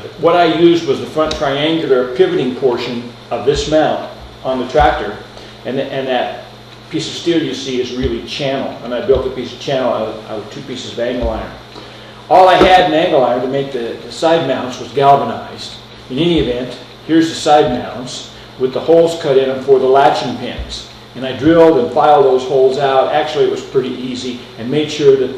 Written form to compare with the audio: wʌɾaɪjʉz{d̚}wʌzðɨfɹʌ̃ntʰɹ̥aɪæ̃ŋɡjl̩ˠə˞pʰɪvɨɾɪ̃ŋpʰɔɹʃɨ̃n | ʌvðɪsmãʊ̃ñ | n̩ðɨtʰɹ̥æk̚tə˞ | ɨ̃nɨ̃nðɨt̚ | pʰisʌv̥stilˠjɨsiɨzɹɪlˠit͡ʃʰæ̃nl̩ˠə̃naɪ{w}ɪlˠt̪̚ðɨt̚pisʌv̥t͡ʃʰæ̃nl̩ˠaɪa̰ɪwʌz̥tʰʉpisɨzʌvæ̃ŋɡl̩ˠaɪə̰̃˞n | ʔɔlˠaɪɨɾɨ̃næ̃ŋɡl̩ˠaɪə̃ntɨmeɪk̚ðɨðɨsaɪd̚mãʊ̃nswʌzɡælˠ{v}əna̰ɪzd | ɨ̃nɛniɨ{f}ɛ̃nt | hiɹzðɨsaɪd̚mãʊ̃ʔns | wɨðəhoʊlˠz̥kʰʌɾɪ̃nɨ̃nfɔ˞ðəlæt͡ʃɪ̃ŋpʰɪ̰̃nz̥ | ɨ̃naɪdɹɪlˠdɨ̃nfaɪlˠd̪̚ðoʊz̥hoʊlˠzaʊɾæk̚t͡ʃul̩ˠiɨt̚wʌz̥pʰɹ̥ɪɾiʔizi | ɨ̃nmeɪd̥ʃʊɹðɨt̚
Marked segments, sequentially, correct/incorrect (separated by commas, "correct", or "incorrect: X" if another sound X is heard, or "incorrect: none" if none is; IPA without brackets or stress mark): correct, incorrect: b, correct, incorrect: v